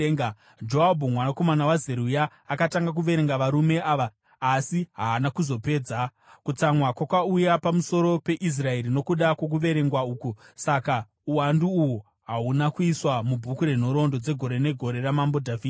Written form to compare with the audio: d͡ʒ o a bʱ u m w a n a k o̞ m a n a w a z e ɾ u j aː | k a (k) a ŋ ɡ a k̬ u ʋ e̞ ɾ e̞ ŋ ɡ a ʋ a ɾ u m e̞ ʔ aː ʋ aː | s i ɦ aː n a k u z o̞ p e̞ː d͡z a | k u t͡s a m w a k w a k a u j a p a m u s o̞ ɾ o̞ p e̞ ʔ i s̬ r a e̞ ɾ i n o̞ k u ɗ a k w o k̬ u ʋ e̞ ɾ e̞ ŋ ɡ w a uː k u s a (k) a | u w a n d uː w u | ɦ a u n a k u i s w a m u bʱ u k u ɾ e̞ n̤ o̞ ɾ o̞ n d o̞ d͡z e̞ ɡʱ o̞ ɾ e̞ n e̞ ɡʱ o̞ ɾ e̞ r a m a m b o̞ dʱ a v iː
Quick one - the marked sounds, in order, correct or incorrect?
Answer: incorrect: t, correct

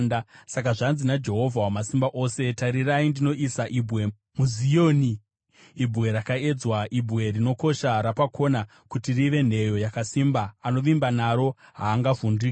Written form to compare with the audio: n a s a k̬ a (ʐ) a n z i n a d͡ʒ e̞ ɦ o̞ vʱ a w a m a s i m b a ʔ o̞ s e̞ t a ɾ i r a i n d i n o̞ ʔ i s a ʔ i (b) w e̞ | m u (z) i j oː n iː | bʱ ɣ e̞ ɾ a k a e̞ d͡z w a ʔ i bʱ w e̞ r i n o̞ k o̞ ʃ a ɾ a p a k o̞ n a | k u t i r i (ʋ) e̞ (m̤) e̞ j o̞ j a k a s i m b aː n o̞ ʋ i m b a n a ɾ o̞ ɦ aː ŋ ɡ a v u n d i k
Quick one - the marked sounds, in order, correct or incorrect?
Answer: correct, correct, correct, correct, incorrect: n̤

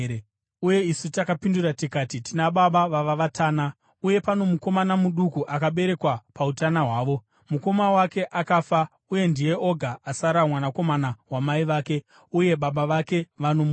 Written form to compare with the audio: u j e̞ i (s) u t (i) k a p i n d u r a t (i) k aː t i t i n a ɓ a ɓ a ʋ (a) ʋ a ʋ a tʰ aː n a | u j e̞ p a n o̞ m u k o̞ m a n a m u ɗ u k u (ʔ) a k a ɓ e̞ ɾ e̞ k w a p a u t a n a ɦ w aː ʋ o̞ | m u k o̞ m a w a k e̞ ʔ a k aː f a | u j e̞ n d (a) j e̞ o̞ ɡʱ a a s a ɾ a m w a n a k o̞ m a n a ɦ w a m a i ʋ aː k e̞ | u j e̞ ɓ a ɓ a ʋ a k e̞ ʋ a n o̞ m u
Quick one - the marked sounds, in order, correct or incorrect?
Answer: correct, incorrect: a, correct, correct, correct, incorrect: i

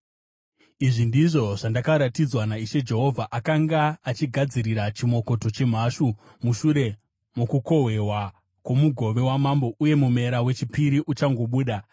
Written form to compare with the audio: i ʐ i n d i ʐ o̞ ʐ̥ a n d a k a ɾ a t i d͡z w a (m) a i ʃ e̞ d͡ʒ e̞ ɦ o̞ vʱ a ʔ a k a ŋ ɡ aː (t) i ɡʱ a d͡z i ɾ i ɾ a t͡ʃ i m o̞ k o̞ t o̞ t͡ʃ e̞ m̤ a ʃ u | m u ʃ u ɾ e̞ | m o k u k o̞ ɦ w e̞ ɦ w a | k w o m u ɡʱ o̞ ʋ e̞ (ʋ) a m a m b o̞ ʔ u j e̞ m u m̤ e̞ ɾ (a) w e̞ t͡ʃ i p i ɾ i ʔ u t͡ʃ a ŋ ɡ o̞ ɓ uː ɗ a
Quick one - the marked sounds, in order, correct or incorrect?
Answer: incorrect: n, incorrect: t͡ʃ, incorrect: w, correct

